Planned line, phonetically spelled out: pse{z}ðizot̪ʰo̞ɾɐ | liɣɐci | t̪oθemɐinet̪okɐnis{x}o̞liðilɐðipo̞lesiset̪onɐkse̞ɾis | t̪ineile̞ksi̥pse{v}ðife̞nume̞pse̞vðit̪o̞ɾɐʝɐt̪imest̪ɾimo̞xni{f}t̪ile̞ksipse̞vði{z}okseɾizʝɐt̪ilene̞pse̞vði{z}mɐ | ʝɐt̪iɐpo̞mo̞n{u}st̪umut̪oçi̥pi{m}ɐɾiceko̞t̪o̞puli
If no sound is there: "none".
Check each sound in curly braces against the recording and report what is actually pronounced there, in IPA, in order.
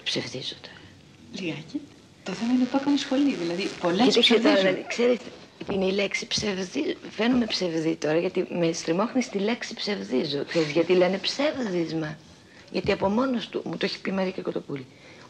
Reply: v, x, v, s, z, z, o, m

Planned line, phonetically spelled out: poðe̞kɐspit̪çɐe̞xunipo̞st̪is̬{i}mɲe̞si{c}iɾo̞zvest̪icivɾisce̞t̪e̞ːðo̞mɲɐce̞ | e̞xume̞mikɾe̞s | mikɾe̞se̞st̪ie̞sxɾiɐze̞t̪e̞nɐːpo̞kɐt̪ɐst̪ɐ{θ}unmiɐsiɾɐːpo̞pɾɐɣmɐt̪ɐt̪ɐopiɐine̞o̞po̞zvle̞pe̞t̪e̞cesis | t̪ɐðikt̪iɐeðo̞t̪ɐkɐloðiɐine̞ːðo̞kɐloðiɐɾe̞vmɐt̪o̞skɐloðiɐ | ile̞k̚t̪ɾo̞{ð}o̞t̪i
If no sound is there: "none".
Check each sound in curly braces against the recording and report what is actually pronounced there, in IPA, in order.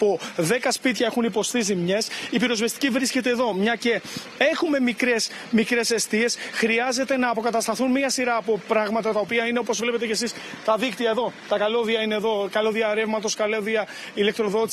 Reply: i, p, θ, ð

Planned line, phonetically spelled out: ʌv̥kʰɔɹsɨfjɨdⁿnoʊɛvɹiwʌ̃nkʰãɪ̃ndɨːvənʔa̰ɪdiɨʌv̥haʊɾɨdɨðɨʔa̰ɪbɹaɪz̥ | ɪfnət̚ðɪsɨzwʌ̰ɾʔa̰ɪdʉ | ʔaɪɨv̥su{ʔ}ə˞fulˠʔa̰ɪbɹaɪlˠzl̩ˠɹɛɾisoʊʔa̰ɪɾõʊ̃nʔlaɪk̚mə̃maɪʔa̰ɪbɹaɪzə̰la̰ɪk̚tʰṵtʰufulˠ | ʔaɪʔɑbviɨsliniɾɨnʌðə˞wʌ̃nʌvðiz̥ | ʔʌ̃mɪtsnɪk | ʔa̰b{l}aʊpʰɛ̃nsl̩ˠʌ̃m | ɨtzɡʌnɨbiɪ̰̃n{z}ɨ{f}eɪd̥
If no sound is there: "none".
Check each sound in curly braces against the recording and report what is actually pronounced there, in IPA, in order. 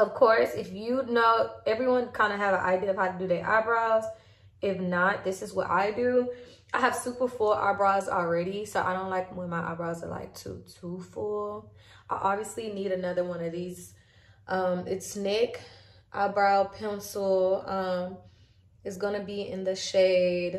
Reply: p, ɹ, ð, ʃ

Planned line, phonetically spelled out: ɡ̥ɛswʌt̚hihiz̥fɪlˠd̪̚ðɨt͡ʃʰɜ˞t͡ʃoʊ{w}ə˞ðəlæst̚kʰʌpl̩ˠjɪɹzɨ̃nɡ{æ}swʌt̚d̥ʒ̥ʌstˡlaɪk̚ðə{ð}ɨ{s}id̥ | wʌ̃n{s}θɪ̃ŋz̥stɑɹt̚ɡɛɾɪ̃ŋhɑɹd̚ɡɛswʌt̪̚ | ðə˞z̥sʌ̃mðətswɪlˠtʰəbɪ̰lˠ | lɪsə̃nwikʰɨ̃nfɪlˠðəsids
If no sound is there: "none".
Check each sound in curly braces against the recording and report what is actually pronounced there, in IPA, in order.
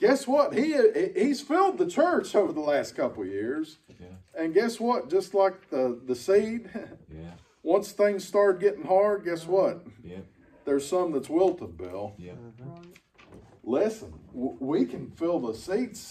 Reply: v, ɛ, ð, s, s

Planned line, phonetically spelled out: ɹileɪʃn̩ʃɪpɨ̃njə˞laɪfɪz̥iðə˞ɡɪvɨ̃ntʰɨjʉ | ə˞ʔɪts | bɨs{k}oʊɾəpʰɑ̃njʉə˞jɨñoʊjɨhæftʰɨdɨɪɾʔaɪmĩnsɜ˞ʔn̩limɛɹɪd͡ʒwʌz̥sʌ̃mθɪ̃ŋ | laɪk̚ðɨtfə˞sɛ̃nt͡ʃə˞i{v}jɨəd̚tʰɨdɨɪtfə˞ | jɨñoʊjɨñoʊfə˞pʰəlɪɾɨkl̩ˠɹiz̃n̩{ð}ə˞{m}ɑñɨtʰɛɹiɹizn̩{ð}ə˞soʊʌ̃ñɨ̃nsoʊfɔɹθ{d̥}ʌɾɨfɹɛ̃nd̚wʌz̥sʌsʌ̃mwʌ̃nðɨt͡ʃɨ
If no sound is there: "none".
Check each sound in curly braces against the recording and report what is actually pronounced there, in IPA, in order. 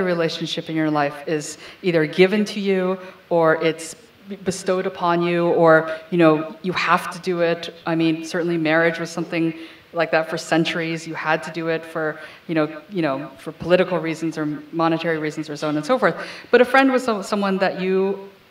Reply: t, z, z, m, z, b̥

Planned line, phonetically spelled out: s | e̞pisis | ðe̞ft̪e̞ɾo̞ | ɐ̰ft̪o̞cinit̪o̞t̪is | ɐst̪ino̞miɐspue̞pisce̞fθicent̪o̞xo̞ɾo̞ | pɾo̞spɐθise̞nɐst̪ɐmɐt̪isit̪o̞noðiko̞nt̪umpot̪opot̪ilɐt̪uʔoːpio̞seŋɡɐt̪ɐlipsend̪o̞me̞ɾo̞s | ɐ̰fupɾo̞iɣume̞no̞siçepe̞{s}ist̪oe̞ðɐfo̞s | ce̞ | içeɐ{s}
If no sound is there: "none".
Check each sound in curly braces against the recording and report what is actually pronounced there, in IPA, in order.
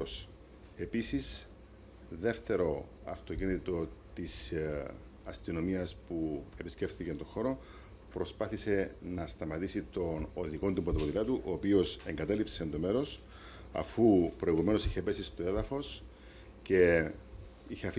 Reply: s, f

